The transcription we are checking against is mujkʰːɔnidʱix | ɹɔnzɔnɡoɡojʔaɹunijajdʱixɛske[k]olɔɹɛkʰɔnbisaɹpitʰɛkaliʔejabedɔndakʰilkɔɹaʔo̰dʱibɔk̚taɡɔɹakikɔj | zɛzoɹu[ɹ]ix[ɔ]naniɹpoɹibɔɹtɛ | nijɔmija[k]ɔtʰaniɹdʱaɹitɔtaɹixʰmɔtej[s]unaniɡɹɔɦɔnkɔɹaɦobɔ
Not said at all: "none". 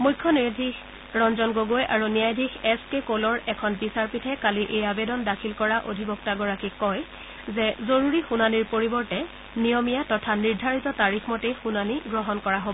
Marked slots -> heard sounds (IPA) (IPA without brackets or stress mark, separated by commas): k, ɹ, u, t, x